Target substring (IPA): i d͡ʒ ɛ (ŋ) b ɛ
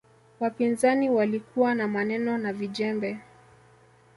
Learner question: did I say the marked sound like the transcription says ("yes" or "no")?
no